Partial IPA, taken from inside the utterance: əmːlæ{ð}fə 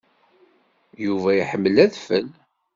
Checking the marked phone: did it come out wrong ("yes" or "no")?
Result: no